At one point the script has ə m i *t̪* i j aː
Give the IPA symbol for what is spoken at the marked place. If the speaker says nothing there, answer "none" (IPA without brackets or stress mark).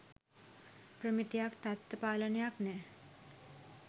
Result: t̪